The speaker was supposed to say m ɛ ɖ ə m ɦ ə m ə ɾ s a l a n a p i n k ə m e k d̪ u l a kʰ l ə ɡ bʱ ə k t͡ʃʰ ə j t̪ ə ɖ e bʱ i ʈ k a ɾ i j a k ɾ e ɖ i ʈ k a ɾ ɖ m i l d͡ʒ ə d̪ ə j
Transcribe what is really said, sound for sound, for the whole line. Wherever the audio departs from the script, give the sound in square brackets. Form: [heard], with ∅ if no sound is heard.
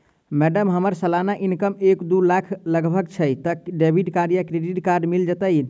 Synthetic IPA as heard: m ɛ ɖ ə m ɦ ə m ə ɾ s [ə] l a n a [ʔ] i n k ə m e k d̪ u l a kʰ l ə ɡ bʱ ə k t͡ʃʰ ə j t̪ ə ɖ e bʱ i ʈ k a ɾ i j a k ɾ e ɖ i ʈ k a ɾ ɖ m i l d͡ʒ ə [t̪] ə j